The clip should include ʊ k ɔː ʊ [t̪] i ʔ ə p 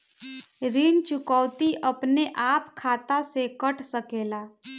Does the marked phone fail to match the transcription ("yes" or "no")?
no